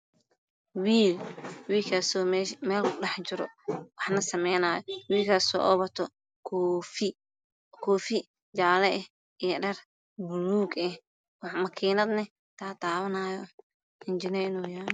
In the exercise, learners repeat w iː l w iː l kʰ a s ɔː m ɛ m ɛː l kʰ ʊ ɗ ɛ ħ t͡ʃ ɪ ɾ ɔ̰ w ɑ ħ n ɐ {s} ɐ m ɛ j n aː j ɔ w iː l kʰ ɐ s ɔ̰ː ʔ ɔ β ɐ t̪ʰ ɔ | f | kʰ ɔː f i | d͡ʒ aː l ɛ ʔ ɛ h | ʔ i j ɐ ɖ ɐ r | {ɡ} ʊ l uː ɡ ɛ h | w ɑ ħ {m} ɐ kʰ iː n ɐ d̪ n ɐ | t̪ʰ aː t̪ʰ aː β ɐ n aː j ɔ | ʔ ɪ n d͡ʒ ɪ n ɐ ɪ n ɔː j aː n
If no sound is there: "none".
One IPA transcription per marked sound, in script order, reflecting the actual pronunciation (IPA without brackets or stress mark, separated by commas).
s, b, m